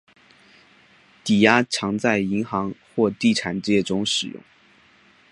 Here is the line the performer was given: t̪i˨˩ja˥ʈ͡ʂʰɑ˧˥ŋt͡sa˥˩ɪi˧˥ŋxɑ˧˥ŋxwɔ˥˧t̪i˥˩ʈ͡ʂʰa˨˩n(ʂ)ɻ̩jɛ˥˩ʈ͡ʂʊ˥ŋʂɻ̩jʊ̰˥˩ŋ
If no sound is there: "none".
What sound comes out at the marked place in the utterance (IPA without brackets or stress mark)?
ʈ͡ʂ